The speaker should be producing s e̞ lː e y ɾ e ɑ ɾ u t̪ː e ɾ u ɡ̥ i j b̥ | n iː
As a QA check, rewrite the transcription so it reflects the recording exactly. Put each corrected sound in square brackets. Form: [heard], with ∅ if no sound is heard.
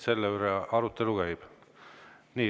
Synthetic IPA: s e̞ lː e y ɾ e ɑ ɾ u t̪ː e [l] u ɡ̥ [æ] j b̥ | n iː